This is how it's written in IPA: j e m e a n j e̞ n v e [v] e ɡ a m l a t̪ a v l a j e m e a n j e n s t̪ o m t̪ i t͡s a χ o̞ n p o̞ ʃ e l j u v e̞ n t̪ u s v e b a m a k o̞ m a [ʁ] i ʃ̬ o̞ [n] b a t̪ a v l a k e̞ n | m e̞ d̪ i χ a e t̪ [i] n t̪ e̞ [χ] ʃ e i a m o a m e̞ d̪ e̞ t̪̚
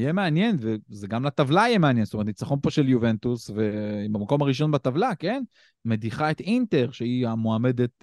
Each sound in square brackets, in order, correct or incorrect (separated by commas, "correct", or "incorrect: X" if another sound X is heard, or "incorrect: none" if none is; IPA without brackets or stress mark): incorrect: z, correct, correct, correct, incorrect: ʁ